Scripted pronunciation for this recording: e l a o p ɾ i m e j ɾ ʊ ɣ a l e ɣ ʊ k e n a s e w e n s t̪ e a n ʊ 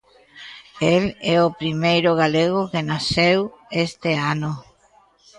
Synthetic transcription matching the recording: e l ɛ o p ɾ i m e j ɾ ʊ ɣ a l e ɣ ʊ k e n a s e w e s t̪ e a n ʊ